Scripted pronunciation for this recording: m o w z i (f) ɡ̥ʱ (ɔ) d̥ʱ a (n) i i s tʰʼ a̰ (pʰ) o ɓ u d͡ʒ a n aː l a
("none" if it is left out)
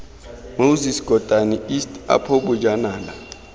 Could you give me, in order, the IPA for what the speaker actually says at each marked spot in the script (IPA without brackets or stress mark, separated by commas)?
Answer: s, ɔ, n, pʰ